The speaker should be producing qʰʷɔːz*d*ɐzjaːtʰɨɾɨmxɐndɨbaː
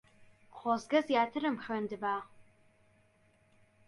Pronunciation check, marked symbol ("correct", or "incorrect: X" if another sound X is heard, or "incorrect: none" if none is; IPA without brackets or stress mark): incorrect: ɡ